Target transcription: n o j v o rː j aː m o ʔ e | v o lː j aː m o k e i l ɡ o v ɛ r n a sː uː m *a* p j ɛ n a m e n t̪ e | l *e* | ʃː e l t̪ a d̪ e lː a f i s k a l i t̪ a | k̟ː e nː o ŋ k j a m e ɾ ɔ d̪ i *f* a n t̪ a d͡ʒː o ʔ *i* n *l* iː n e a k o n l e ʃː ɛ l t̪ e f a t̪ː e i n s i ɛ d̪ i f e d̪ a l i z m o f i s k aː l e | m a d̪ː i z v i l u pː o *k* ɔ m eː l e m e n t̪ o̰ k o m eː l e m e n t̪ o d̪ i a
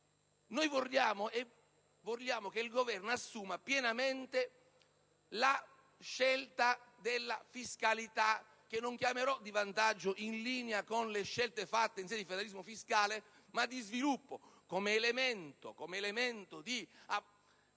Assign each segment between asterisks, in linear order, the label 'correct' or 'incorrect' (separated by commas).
correct, incorrect, incorrect, correct, correct, correct